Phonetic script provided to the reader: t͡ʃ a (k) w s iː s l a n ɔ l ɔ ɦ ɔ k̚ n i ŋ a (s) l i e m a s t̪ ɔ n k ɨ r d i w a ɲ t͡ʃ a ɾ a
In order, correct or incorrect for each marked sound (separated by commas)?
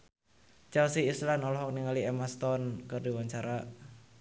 incorrect, incorrect